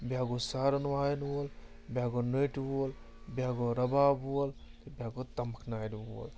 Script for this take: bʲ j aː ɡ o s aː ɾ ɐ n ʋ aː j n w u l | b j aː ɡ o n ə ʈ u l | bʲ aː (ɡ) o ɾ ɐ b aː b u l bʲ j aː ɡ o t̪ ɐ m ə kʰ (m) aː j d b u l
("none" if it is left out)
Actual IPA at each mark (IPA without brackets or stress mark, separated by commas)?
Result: ɡ, n